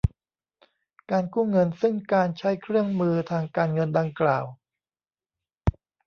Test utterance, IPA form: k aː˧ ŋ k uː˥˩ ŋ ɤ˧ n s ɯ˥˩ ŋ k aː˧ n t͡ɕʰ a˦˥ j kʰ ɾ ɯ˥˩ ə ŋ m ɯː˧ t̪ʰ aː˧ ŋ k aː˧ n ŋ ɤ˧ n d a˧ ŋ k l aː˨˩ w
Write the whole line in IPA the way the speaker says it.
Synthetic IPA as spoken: k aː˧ n k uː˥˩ ŋ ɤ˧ n s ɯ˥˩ ŋ k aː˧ n t͡ɕʰ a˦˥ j kʰ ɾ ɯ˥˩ ə ŋ m ɯː˧ t̪ʰ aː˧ ŋ k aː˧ n ŋ ɤ˧ n d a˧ ŋ k l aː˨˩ w